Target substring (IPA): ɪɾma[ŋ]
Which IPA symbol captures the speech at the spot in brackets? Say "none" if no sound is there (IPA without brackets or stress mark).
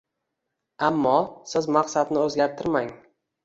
ŋ